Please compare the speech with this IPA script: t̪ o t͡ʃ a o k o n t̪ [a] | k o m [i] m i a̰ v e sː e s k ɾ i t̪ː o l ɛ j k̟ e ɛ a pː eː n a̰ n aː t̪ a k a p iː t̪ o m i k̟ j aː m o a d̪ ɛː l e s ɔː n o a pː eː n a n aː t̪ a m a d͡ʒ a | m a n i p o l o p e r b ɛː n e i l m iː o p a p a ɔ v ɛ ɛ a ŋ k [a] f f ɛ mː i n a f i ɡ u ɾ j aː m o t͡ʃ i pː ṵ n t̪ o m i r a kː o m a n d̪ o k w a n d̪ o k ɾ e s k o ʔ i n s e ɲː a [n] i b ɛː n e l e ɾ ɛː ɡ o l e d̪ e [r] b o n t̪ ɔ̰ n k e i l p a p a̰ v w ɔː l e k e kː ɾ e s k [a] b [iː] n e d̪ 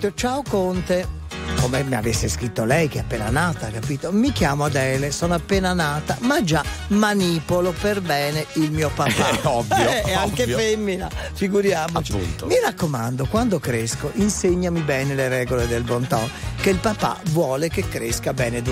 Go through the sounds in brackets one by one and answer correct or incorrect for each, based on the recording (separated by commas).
incorrect, incorrect, incorrect, incorrect, incorrect, correct, incorrect